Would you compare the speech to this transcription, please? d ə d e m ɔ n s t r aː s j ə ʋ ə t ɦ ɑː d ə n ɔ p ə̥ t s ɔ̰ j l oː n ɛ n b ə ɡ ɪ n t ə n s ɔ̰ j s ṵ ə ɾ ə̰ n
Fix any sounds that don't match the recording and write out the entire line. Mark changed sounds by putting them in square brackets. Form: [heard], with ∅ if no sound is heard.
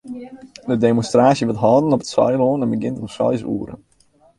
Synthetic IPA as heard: d ə d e m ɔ n s t r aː s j ə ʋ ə t ɦ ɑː d ə n ɔ p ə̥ t s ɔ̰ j l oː n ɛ n b ə ɡ ɪ n t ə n s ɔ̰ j s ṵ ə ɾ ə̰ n

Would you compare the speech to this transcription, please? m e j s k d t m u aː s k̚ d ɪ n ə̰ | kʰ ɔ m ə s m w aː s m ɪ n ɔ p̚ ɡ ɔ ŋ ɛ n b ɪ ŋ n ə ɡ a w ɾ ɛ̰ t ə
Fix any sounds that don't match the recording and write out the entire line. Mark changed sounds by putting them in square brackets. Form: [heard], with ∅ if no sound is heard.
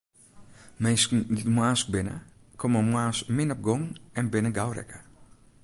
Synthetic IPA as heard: m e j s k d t m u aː s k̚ [b] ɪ n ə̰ | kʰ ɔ m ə [∅] m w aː s m ɪ n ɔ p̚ ɡ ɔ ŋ ɛ n b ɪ [∅] n ə ɡ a w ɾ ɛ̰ [k] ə

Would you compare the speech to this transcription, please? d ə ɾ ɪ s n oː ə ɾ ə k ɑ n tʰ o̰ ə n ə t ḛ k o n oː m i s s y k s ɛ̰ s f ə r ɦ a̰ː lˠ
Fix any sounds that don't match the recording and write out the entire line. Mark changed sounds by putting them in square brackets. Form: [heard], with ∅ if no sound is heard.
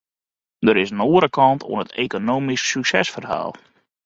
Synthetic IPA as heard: d ə ɾ ɪ s n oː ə ɾ ə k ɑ n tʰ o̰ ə n ə t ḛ k o n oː m i s s y k s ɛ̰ s f ə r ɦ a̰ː lˠ

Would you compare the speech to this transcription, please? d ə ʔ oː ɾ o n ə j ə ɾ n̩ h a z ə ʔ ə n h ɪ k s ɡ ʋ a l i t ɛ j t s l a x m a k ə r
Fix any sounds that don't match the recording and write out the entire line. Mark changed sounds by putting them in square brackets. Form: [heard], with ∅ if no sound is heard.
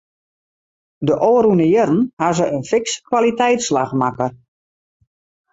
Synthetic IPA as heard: d ə ʔ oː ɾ [u] n ə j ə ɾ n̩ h a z ə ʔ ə n [f] ɪ k s [k] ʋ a l i t ɛ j t s l a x m a k ə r

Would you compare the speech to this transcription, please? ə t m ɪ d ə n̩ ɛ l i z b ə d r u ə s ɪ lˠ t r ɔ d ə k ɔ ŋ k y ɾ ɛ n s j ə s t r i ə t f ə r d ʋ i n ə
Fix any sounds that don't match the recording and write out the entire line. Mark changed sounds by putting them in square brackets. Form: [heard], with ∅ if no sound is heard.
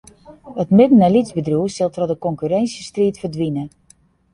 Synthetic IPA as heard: ə t m ɪ d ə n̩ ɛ l i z b ə d r u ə s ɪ lˠ t r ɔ d ə k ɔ ŋ k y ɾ ɛ n s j ə s t r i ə t f ə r d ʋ i n ə

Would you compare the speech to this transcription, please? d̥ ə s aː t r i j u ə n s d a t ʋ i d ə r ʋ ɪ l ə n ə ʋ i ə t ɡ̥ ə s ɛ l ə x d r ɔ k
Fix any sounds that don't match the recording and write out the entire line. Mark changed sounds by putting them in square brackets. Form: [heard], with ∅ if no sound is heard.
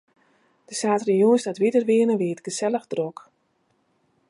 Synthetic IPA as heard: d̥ ə s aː t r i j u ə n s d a t ʋ i d ə r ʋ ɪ [∅] ə n ə ʋ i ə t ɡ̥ ə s ɛ l ə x d r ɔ k

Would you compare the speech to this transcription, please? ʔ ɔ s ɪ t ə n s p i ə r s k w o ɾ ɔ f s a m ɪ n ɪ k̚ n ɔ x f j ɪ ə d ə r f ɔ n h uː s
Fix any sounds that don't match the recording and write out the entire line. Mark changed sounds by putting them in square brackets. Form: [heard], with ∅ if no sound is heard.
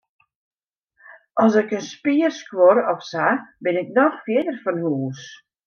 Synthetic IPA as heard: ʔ ɔ s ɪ [k] ə n s p i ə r s k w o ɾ ɔ f s a [b] ɪ n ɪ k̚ n ɔ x f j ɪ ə d ə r f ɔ n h uː s

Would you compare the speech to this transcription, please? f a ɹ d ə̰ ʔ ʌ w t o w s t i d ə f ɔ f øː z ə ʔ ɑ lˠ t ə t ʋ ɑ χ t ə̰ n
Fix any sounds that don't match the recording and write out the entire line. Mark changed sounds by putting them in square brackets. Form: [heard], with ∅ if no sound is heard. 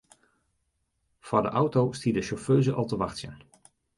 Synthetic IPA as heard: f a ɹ d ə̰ ʔ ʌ w t o w s t i d ə [ʃ] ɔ f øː z ə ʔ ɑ lˠ t ə [∅] ʋ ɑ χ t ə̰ n

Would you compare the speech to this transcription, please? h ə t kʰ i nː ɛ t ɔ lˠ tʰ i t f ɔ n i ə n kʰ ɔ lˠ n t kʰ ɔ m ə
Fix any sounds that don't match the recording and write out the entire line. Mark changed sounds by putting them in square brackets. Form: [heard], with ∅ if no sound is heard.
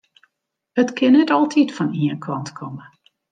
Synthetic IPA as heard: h ə t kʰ [ɪ] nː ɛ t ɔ lˠ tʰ i t f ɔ n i ə n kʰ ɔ [∅] n t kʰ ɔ m ə

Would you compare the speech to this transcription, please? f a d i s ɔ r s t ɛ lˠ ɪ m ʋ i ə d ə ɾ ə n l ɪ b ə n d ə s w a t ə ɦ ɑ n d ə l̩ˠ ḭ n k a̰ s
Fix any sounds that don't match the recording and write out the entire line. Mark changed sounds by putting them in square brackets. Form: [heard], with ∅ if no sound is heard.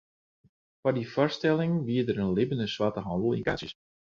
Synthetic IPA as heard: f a d i [f] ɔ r s t ɛ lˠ ɪ [ŋ] ʋ i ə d ə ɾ ə n l ɪ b ə n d ə s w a t ə ɦ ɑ n d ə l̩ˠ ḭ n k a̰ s

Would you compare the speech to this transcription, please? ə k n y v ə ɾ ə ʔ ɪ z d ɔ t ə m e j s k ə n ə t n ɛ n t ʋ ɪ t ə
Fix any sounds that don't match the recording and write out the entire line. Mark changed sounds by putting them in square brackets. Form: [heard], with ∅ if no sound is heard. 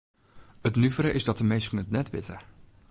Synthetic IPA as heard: ə [t] n y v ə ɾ ə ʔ ɪ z d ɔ t ə m e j s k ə n ə t n ɛ [∅] t ʋ ɪ t ə

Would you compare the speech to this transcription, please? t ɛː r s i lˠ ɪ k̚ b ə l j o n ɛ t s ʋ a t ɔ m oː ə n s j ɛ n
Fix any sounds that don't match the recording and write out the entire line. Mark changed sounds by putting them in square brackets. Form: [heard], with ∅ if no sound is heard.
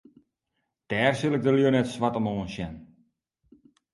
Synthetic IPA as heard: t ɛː r s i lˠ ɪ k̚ [d] ə l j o n ɛ t s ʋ a t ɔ m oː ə n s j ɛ n

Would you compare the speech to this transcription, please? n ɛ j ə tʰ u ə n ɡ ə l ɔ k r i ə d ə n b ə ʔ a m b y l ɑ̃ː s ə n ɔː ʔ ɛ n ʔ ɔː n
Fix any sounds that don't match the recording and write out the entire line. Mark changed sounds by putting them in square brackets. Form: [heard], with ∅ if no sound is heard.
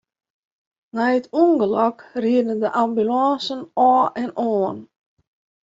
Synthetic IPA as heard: n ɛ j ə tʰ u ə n ɡ ə l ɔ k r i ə d ə n [d] ə ʔ a m b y l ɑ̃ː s ə n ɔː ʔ ɛ n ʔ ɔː n

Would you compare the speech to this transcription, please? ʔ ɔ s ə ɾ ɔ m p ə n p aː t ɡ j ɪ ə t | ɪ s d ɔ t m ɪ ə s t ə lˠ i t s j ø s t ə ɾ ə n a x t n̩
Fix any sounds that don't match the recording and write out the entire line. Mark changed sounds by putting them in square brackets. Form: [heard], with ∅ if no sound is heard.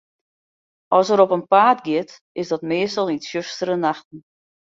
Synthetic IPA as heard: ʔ ɔ s ə ɾ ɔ [∅] p ə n p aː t ɡ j ɪ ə t | ɪ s d ɔ t m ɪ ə s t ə lˠ i t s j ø s t ə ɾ ə n a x t n̩

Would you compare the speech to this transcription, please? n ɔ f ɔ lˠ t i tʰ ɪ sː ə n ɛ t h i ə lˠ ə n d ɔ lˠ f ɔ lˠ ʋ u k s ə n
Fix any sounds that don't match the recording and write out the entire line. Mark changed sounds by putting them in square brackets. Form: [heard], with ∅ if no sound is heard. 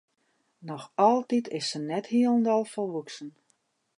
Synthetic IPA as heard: n ɔ [x] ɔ lˠ t i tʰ ɪ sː ə n ɛ t h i ə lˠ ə n d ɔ lˠ f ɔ lˠ ʋ u k s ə n

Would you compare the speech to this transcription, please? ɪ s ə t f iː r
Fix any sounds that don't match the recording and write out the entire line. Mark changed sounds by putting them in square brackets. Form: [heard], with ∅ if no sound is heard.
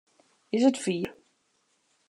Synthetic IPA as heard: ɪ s ə t f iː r

